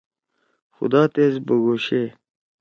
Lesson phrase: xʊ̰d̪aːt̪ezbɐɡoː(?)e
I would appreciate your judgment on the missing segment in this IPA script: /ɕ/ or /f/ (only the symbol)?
ɕ